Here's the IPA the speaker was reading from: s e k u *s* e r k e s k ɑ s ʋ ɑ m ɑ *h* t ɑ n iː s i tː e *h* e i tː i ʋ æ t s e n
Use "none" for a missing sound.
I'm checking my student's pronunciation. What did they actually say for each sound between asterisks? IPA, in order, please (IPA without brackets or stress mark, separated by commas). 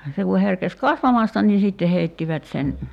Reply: h, s, h